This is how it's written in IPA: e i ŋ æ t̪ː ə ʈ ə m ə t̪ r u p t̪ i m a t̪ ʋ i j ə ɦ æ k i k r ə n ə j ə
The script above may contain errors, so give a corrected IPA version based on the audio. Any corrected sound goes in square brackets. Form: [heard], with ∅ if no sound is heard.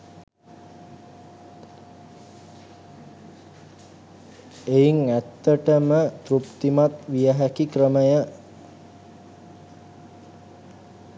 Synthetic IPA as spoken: e i ŋ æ t̪ː ə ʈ ə m ə t̪ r u p t̪ i m a t̪ ʋ i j ə ɦ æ k i k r ə [m] ə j ə